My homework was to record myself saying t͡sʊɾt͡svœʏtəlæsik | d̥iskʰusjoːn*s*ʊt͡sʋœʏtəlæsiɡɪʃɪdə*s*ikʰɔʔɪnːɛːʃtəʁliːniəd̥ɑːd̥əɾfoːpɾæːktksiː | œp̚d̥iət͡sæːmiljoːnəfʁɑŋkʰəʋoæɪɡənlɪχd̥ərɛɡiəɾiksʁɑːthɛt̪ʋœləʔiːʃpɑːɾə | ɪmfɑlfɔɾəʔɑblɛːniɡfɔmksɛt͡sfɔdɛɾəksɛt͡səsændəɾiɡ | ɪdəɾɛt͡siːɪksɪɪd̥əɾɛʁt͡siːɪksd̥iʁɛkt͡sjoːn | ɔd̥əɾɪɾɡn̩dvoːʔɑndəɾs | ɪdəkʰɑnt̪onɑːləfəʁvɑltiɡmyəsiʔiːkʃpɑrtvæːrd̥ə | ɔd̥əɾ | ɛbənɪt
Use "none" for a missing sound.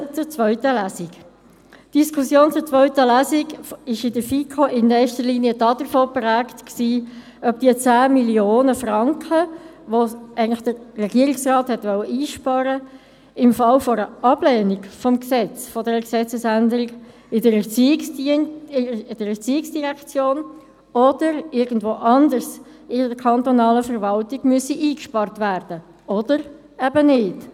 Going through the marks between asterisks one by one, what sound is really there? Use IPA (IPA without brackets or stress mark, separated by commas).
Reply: t͡s, f